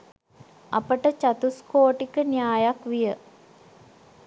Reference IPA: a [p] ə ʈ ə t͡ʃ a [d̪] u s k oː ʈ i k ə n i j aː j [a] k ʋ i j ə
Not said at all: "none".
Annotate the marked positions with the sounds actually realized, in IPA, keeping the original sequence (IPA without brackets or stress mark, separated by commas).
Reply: p, t̪, a